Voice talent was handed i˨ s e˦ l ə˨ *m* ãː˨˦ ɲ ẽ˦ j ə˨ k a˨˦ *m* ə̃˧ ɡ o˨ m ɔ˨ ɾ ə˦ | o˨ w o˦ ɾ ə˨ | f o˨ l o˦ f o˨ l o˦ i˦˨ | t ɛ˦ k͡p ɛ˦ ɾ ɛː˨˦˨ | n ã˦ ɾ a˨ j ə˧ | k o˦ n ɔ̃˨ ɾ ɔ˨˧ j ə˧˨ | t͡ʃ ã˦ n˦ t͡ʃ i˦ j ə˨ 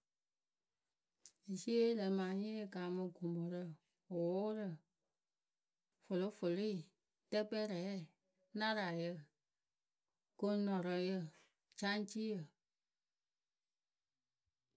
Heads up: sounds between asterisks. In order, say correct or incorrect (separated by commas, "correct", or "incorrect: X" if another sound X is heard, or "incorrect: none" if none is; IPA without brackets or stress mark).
correct, correct